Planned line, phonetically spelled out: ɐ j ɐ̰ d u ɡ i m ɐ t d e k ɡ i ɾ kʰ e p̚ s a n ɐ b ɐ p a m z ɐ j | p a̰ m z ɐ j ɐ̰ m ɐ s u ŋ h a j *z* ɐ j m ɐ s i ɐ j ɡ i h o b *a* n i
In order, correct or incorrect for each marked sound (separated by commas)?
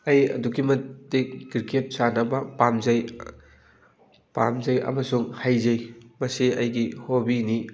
correct, incorrect